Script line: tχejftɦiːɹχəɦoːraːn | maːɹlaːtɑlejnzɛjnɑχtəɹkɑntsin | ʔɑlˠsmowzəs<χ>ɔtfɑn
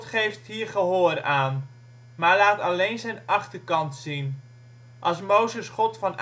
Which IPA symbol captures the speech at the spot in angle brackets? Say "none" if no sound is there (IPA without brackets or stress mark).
χ